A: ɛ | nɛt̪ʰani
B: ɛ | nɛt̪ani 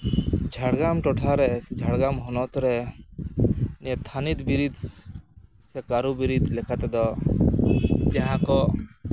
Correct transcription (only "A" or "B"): A